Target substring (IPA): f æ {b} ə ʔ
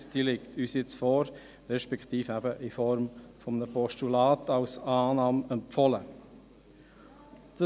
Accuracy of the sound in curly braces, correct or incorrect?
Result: correct